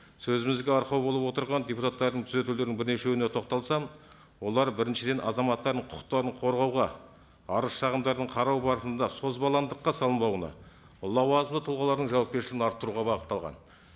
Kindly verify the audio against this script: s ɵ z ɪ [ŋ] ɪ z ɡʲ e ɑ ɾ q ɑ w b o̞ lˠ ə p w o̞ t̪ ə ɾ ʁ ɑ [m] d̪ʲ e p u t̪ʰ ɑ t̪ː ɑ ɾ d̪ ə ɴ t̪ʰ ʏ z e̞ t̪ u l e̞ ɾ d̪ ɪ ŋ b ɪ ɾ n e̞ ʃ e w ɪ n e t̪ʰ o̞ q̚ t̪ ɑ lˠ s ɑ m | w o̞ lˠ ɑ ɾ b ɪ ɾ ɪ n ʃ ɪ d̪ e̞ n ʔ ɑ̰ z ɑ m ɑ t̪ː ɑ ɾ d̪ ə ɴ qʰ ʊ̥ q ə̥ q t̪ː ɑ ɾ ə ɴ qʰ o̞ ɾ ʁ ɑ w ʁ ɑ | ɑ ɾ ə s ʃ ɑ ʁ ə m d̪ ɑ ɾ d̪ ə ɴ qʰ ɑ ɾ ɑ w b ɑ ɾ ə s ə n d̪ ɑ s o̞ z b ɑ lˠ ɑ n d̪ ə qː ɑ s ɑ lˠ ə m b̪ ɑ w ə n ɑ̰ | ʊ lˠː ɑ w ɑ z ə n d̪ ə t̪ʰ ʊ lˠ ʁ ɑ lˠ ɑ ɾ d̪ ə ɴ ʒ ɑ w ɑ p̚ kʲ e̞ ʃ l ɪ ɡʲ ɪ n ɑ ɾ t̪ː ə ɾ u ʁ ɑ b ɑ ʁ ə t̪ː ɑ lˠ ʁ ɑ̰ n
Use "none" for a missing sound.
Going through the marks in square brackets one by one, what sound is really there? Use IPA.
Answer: m, n

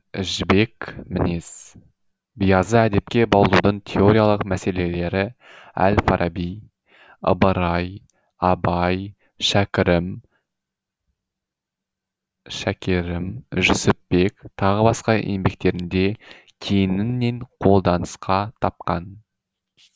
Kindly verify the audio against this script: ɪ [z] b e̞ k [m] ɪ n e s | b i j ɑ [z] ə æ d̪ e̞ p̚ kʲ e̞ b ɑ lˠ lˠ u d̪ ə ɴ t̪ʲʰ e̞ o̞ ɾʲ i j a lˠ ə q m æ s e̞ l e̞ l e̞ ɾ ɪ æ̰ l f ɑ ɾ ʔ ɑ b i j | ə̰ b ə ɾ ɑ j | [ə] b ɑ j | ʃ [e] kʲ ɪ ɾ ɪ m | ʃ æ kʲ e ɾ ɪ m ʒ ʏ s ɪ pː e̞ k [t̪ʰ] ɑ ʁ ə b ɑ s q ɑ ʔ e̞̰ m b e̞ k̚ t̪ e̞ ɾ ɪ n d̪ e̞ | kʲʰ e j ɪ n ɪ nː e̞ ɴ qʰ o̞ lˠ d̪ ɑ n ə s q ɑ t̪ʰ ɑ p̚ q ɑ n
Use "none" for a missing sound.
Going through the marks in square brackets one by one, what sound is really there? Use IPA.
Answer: ʒ, m, z, ɑ, æ, t̪ʰ

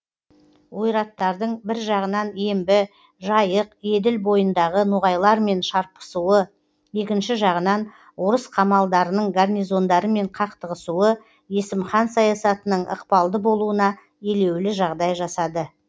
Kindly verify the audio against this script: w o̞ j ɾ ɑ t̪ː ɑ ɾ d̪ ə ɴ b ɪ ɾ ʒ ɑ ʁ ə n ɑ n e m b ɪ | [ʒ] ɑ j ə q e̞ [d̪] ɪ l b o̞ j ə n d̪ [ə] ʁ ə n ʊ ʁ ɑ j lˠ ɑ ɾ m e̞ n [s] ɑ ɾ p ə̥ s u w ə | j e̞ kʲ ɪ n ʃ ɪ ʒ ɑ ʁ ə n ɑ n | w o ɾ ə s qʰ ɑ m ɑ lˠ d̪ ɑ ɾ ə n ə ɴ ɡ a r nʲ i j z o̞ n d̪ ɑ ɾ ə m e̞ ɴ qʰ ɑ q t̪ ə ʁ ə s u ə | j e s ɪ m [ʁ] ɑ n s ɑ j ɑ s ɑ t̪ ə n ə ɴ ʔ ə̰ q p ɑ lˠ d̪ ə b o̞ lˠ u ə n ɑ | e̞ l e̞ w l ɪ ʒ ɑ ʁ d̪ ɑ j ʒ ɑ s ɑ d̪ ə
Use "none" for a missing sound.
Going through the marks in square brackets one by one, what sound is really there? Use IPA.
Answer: ʒ, d̪, ɑ, ʃ, χ

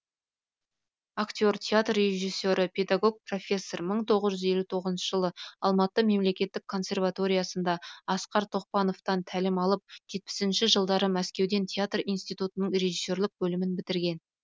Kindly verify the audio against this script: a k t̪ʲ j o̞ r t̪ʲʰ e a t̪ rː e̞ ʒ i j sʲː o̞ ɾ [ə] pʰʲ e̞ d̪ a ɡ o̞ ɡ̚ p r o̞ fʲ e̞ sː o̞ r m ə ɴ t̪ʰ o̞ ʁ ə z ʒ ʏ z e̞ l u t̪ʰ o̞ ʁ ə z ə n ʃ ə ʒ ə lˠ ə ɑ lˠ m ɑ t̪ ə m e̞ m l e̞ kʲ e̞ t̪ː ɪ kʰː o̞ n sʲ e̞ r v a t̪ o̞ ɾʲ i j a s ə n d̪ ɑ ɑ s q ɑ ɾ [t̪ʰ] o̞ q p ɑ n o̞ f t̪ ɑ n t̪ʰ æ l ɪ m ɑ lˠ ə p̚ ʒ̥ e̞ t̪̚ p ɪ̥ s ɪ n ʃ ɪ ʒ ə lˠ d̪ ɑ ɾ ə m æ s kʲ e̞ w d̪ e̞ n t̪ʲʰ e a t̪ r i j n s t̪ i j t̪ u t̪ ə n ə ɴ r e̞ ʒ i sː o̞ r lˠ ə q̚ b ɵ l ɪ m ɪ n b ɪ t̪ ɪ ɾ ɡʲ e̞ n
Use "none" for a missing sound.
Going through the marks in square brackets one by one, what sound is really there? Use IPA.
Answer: ə, t̪ʰ

